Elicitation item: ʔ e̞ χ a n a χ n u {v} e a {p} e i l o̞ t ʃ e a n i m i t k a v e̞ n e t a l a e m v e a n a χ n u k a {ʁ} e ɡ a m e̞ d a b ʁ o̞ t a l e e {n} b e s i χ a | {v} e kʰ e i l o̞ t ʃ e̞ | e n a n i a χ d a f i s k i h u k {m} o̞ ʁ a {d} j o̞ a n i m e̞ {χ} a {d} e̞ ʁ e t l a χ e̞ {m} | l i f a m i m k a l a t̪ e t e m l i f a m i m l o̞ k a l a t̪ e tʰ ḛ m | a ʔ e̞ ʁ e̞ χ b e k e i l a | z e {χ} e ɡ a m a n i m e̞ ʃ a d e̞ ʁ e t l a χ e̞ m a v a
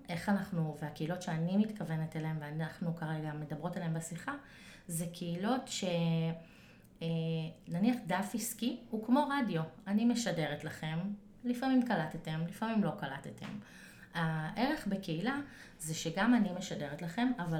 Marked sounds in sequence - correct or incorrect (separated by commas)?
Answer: correct, incorrect, correct, incorrect, incorrect, correct, correct, incorrect, correct, correct, incorrect